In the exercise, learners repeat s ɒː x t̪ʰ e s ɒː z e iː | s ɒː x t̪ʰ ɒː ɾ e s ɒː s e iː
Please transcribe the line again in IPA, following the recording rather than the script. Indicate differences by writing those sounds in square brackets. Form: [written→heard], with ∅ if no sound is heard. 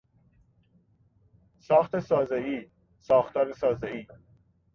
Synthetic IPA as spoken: s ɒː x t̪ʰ e s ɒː z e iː | s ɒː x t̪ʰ ɒː ɾ e s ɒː [s→z] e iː